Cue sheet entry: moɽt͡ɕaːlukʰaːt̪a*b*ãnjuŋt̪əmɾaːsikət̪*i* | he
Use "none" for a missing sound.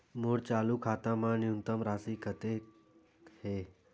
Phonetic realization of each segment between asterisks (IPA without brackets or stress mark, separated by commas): m, e